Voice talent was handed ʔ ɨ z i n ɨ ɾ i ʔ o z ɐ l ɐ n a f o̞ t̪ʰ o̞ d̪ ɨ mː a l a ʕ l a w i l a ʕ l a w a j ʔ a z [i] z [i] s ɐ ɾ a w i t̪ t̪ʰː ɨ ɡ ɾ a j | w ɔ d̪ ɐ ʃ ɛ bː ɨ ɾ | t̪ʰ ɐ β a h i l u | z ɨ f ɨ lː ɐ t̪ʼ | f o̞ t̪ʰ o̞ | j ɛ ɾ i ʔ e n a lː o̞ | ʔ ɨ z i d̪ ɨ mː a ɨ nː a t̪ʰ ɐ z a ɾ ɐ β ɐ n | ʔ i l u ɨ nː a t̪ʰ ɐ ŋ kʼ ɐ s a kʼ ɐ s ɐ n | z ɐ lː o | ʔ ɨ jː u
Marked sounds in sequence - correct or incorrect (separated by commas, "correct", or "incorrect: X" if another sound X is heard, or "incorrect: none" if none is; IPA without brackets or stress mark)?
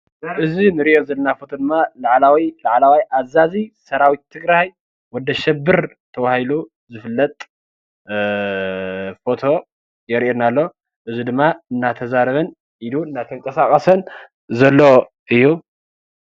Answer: incorrect: a, correct